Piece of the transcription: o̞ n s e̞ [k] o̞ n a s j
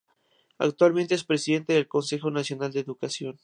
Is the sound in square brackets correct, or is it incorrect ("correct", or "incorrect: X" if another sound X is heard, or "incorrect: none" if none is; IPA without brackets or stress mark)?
incorrect: x